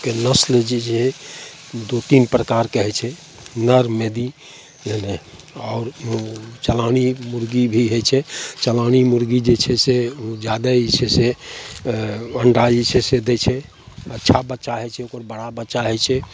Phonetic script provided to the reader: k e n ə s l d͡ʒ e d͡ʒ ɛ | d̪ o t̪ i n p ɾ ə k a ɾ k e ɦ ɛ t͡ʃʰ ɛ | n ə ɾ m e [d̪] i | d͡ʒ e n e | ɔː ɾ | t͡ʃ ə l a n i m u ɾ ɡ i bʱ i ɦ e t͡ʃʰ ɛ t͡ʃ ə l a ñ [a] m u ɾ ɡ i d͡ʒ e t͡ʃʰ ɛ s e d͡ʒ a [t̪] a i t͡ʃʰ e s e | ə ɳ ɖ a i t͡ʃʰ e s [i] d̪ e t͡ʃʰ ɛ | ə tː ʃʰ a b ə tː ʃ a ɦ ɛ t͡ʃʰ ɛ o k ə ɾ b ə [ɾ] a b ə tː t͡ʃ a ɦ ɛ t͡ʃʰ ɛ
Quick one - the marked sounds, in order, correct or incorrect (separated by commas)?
correct, incorrect, incorrect, incorrect, incorrect